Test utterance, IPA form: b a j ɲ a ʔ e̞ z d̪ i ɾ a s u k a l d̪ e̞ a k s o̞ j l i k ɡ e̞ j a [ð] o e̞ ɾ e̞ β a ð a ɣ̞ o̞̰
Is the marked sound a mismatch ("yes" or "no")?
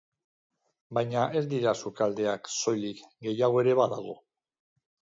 yes